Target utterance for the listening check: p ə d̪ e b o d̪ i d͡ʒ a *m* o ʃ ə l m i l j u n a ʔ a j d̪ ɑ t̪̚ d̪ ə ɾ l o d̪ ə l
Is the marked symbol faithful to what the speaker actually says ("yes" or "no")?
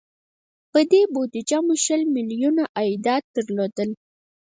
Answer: yes